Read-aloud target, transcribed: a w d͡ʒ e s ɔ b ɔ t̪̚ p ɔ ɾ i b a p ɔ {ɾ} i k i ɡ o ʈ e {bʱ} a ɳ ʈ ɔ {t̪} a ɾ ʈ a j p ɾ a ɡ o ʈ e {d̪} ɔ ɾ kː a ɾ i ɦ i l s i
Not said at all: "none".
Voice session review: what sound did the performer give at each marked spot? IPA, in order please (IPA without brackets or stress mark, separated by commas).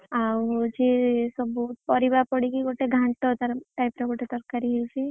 ɽ, ɡʱ, t̪, t̪